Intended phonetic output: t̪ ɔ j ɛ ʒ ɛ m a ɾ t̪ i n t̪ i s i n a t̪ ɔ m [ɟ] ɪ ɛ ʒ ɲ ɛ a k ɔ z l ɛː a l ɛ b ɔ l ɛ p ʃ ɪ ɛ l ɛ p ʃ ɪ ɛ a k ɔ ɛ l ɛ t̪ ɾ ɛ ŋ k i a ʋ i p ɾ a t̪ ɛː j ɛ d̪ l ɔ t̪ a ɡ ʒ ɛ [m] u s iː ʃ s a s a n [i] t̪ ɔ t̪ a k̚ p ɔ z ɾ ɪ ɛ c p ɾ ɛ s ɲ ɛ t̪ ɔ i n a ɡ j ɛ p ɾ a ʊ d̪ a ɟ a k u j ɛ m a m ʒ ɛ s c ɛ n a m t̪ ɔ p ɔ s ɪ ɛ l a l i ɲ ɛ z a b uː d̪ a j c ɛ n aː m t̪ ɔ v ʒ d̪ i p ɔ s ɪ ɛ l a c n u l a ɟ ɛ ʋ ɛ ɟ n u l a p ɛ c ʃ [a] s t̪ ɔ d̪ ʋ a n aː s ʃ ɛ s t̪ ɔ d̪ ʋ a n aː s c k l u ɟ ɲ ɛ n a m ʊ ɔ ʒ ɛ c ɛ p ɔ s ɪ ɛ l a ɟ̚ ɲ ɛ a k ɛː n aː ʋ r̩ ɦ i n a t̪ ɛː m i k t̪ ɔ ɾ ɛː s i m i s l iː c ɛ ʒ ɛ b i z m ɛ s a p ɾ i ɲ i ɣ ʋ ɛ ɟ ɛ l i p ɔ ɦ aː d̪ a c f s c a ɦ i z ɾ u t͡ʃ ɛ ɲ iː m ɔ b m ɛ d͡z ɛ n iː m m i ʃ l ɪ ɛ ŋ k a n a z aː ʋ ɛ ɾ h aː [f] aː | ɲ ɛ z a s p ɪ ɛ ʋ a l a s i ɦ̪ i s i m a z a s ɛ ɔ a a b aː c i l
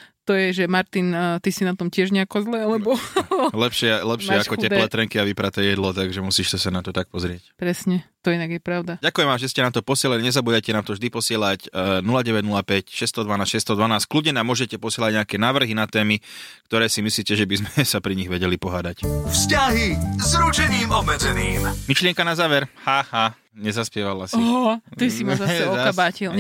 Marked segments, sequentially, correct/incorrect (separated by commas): incorrect, correct, incorrect, incorrect, incorrect